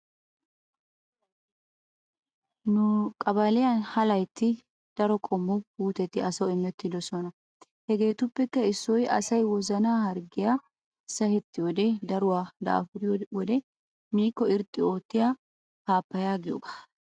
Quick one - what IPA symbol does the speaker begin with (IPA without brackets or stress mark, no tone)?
n